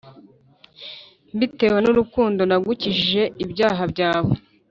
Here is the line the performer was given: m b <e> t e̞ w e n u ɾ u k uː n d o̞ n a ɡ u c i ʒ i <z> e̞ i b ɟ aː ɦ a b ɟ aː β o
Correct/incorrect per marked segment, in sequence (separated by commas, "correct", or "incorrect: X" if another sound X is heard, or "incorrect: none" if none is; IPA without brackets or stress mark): incorrect: i, incorrect: ʒ